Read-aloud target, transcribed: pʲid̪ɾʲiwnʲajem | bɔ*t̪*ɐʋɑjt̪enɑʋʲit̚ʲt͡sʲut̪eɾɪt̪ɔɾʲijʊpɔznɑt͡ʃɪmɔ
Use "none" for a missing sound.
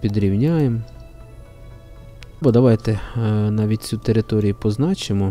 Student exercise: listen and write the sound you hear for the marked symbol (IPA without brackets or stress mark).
d̪